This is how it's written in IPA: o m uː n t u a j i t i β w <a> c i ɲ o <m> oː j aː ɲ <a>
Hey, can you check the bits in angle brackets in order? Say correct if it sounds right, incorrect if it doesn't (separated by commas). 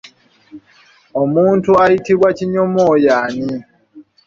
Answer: correct, correct, incorrect